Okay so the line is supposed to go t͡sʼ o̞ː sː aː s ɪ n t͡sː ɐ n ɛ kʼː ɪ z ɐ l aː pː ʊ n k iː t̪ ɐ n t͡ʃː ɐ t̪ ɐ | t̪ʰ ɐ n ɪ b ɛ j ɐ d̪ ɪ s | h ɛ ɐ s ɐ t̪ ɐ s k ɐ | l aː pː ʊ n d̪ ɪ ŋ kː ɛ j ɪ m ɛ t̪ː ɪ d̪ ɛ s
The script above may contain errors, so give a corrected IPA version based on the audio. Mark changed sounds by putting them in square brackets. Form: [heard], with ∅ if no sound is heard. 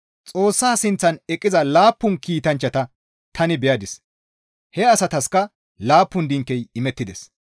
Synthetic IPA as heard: t͡sʼ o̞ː sː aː s ɪ n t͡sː ɐ n ɛ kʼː ɪ z ɐ l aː pː ʊ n k iː t̪ ɐ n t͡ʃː ɐ t̪ ɐ | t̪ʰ ɐ n ɪ b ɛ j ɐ d̪ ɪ s | h ɛ ɐ s ɐ t̪ ɐ s k ɐ | l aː pː ʊ n d̪ ɪ ŋ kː ɛ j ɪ m ɛ t̪ː ɪ d̪ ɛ s